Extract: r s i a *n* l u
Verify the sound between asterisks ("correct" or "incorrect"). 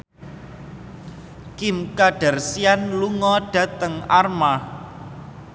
correct